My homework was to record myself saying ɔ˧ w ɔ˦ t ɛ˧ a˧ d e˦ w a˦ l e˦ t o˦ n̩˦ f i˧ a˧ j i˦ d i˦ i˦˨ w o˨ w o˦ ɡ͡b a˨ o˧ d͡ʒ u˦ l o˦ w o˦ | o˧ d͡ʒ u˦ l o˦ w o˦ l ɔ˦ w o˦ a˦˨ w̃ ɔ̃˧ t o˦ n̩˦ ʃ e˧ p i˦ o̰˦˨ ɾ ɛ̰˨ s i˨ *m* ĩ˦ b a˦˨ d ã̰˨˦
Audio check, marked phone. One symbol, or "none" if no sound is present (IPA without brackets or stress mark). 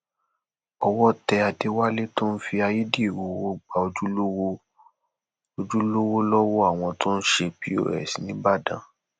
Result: n